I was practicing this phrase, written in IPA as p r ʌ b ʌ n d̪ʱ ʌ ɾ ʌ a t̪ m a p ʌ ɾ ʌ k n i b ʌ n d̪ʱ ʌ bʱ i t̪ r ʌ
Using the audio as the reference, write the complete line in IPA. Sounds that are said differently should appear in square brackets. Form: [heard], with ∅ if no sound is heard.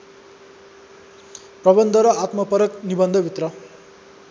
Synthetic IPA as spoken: p r ʌ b ʌ n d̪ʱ ʌ ɾ ʌ a t̪ m [ʌ] p ʌ ɾ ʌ k n i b ʌ n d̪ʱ ʌ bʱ i t̪ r ʌ

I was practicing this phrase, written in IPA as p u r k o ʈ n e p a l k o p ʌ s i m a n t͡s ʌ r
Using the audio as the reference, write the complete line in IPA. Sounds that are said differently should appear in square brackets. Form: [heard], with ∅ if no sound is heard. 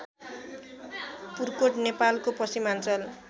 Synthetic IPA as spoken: p u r k o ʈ n e p a l k o p ʌ s i m a n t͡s ʌ [l]

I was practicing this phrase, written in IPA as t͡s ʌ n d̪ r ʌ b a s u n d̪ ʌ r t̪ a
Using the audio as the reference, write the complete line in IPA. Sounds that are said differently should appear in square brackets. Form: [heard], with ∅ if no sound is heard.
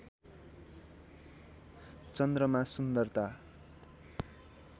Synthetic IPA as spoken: t͡s ʌ n d̪ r ʌ [m] a s u n d̪ ʌ r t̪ a

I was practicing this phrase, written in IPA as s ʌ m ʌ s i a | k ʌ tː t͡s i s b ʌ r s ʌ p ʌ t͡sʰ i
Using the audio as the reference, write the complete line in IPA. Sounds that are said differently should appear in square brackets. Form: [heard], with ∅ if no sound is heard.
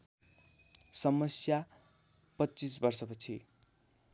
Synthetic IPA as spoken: s ʌ m ʌ s [j] a | [p] ʌ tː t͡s i s b ʌ r s ʌ p ʌ t͡sʰ i

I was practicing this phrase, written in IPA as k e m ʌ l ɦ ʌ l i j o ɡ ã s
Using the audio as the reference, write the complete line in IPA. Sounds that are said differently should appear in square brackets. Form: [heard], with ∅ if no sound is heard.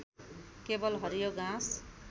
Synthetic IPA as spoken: k e [b] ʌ l ɦ ʌ [ɾ] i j o ɡ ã s

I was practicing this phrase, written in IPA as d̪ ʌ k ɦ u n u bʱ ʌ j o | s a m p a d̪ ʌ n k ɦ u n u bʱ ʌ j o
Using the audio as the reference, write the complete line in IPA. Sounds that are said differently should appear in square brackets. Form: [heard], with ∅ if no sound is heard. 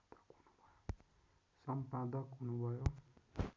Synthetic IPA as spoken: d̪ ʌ k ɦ u n u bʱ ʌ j o | s [ʌ] m p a d̪ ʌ [∅] k ɦ u n u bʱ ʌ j o

